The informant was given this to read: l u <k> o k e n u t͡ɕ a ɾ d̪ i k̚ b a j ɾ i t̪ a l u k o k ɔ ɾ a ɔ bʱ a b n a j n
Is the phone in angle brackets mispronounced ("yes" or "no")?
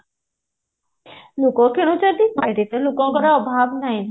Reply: no